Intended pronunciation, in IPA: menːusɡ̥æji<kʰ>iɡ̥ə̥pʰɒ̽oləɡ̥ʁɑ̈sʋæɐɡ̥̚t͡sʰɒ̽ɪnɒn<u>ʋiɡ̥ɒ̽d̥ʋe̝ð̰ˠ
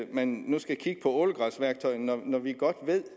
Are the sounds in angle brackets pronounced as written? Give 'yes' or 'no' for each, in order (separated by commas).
yes, no